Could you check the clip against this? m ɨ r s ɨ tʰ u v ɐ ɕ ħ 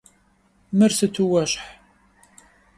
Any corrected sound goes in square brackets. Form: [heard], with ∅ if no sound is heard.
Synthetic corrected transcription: m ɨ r s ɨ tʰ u [w] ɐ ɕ ħ